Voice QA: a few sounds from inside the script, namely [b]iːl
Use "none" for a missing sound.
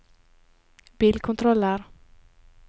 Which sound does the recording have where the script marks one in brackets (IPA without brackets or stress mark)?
b